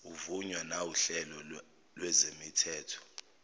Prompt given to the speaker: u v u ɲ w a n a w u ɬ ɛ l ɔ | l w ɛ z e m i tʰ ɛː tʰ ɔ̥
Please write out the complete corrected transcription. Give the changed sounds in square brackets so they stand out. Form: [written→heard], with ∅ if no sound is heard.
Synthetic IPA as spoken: u v u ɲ w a n a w u ɬ ɛ l ɔ | l w ɛ z e m i tʰ ɛː tʰ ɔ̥